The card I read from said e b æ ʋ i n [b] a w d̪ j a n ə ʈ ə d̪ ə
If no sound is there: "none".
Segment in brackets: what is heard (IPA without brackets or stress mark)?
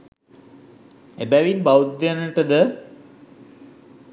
b